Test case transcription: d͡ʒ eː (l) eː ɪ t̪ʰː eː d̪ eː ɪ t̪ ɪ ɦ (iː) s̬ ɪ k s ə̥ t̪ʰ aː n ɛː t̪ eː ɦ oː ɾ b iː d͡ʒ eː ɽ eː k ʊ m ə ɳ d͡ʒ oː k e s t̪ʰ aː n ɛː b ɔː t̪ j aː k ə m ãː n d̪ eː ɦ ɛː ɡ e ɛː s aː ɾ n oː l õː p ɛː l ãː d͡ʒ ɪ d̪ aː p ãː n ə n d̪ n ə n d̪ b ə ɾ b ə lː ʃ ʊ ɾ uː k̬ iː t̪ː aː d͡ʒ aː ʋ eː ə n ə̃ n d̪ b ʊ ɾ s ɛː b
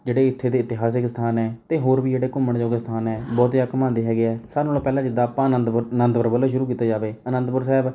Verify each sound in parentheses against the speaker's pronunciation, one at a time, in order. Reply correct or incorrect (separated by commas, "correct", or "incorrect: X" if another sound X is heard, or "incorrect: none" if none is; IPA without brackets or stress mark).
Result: incorrect: ɽ, incorrect: aː